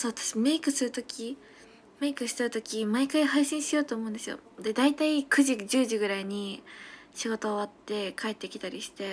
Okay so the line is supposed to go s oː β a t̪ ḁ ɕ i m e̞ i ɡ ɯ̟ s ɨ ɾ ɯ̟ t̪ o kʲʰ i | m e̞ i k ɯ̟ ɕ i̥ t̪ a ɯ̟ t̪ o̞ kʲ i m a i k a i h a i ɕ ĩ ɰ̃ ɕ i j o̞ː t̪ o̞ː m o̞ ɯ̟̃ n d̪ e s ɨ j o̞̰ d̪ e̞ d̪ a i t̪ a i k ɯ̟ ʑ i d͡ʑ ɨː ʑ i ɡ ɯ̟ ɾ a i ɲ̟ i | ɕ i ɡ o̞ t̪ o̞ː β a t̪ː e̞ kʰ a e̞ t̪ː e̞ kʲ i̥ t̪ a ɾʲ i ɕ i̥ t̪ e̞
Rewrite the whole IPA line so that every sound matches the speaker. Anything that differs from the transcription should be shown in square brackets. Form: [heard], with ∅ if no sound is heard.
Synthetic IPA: s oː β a t̪ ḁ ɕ i m e̞ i [k] ɯ̟ s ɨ ɾ ɯ̟ t̪ o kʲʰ i | m e̞ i k ɯ̟ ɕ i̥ t̪ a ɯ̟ t̪ o̞ kʲ i m a i k a i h a i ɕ ĩ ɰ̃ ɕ i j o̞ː t̪ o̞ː m o̞ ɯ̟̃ n d̪ e s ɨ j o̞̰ d̪ e̞ d̪ a i t̪ a i k ɯ̟ ʑ i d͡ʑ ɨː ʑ i ɡ ɯ̟ ɾ a i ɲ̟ i | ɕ i ɡ o̞ t̪ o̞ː β a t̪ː e̞ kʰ a e̞ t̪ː e̞ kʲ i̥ t̪ a ɾʲ i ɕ i̥ t̪ e̞